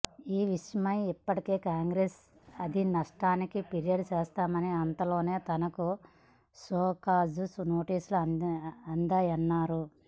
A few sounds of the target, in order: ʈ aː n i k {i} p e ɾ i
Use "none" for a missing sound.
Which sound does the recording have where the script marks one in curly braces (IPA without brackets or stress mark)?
i